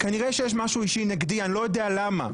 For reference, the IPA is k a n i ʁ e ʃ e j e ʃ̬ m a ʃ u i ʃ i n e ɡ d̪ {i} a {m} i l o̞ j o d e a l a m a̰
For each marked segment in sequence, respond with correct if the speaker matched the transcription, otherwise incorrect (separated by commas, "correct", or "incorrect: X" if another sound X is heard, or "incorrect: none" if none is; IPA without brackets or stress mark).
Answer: correct, incorrect: n